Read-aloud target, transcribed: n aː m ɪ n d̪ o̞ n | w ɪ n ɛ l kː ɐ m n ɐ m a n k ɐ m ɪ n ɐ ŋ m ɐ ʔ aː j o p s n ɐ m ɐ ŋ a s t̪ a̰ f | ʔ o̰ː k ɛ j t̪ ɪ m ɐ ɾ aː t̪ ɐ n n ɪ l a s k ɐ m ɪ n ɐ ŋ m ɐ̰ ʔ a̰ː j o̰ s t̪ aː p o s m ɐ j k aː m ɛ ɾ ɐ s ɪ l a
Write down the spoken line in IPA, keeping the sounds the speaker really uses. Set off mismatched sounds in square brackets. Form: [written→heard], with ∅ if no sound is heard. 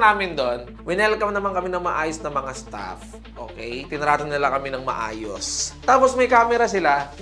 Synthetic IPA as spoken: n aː m ɪ n d̪ o̞ n | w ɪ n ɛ l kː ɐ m n ɐ m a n k ɐ m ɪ n ɐ ŋ m ɐ ʔ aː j o [p→∅] s n ɐ m ɐ ŋ a s t̪ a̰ f | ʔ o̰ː k ɛ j t̪ ɪ [m→n] ɐ ɾ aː t̪ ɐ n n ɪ l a [s→∅] k ɐ m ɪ n ɐ ŋ m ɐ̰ ʔ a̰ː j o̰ s t̪ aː p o s m ɐ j k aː m ɛ ɾ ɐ s ɪ l a

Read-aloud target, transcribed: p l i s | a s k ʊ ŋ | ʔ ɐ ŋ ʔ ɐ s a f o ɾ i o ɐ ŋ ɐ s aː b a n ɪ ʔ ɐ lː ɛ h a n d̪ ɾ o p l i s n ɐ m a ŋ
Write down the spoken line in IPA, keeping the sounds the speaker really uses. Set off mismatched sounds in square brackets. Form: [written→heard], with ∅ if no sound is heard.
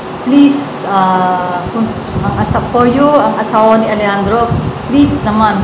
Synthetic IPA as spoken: p l i s | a [s→∅] k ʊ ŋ | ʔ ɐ ŋ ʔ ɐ s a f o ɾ [i→j] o ɐ ŋ ɐ s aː [b→w] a n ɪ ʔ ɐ [lː→l] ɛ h a n d̪ ɾ o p l i s n ɐ m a [ŋ→n]

